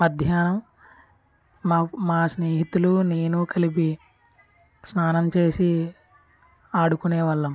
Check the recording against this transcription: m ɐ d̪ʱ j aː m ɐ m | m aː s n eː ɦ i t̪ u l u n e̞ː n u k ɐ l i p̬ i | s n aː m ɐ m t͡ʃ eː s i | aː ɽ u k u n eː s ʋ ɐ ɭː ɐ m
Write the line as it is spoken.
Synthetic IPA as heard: m ɐ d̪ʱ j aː n ɐ m | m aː s n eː ɦ i t̪ u l u n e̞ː n u k ɐ l i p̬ i | s n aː n ɐ m t͡ʃ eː s i | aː ɽ u k u n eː ʋ ɐ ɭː ɐ m